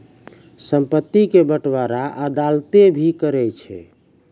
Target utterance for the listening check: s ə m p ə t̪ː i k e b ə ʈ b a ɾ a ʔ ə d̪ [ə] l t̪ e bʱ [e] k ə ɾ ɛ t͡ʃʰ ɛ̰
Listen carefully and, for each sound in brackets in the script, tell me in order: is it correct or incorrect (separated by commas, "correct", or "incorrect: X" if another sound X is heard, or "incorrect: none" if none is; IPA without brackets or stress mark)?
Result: incorrect: a, incorrect: i